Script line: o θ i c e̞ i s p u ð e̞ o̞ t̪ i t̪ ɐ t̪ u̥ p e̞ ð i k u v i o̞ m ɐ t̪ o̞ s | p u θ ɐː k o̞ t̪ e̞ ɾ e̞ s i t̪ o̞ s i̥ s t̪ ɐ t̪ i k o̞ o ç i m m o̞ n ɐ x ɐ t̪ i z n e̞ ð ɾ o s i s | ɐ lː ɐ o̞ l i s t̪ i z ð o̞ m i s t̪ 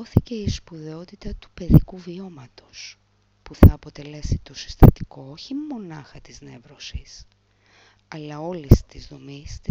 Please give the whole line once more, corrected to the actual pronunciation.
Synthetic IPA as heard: o θ i c e̞ i s p u ð e̞ o̞ t̪ i t̪ ɐ t̪ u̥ p e̞ ð i k u v i o̞ m ɐ t̪ o̞ s | p u θ ɐː p o̞ t̪ e̞ l e̞ s i t̪ o̞ s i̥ s t̪ ɐ t̪ i k o̞ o ç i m m o̞ n ɐ x ɐ t̪ i z n e̞ v ɾ o s i s | ɐ l ɐ o̞ l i s t̪ i z ð o̞ m i s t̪